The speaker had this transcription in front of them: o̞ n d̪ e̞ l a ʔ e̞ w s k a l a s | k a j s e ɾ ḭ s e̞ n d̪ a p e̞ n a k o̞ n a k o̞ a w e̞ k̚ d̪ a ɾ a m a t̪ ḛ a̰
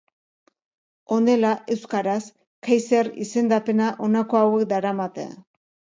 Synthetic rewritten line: o̞ n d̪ e̞ l a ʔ e̞ w s k a ɾ a s | k a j s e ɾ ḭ s e̞ n d̪ a p e̞ n a ʔ o̞ n a k o̞ a w e̞ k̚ d̪ a ɾ a m a t̪ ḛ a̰